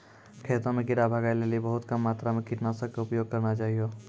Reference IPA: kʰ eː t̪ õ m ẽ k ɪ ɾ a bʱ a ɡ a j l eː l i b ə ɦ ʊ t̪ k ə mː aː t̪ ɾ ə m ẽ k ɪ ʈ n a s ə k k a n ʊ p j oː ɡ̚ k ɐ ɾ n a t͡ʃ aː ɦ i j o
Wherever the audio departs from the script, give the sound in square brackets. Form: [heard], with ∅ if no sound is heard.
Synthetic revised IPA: kʰ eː t̪ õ m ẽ k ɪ ɾ a bʱ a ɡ a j l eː l i b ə ɦ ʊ t̪ k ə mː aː t̪ ɾ [a] m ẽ k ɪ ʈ n a s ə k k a [∅] ʊ p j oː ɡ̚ k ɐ ɾ n a t͡ʃ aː ɦ i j o